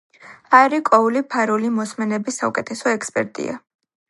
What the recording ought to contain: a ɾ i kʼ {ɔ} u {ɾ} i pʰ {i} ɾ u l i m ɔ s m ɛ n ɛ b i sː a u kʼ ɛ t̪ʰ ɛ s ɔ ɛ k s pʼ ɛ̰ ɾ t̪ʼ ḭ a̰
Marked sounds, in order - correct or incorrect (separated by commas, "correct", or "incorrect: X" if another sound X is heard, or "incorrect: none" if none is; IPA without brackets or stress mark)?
correct, incorrect: l, incorrect: a